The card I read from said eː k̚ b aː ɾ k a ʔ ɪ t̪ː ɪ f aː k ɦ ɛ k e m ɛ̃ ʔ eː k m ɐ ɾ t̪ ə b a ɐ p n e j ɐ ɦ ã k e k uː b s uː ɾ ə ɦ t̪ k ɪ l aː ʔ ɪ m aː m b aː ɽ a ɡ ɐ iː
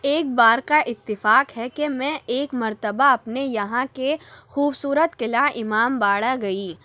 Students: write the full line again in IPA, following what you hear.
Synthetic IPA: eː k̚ b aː ɾ k a ʔ ɪ t̪ː ɪ f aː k ɦ ɛ k e m ɛ̃ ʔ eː k m ɐ ɾ t̪ ə b a ɐ p n e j ɐ ɦ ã k e x uː b s uː ɾ ə t̪ k ɪ l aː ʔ ɪ m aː m b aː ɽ a ɡ ɐ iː